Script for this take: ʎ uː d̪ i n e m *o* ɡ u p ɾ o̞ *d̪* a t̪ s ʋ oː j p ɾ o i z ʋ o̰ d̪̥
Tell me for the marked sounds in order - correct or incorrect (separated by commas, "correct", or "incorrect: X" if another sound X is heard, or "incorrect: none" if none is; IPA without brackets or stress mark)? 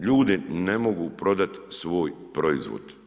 correct, correct